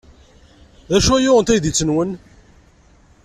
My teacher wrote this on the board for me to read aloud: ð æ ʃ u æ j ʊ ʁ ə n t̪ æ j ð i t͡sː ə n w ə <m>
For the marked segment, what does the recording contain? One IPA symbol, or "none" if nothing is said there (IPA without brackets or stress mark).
n